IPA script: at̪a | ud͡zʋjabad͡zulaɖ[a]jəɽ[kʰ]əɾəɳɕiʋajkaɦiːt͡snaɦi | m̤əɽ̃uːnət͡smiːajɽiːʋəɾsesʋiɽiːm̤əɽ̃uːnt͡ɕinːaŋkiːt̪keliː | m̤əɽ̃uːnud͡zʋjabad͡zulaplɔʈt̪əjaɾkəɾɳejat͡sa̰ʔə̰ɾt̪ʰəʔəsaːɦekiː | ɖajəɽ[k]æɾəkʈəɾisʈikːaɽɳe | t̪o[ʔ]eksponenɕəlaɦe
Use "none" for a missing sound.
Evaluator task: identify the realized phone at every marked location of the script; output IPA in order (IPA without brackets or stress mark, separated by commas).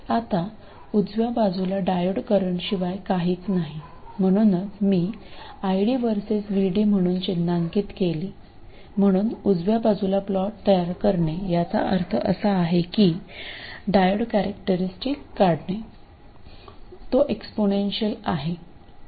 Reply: a, k, k, ʔ